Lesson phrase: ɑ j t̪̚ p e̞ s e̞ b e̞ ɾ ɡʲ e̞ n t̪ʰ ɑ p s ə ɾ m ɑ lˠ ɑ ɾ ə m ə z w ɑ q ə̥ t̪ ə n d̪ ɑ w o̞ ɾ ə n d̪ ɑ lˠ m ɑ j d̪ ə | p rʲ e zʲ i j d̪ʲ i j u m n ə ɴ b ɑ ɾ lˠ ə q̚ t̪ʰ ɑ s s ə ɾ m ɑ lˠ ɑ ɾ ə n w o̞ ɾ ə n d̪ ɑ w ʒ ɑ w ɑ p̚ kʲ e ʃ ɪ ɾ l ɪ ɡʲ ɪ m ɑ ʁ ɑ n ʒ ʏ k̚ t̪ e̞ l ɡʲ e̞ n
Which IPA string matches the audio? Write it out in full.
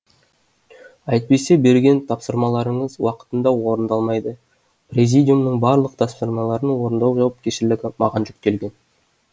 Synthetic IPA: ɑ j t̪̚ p e̞ s e̞ b e̞ ɾ ɡʲ e̞ n t̪ʰ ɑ p s ə ɾ m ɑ lˠ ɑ ɾ ə ɴ ə z w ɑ q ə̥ t̪ ə n d̪ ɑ w o̞ ɾ ə n d̪ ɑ lˠ m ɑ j d̪ ə | p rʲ e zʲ i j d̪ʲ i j u m n ə ɴ b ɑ ɾ lˠ ə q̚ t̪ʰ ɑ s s ə ɾ m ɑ lˠ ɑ ɾ ə n w o̞ ɾ ə n d̪ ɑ w ʒ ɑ w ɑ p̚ kʲ e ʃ ɪ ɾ l ɪ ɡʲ ɪ m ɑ ʁ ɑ n ʒ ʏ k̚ t̪ e̞ l ɡʲ e̞ n